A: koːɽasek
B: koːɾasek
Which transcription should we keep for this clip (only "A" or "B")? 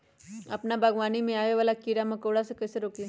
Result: A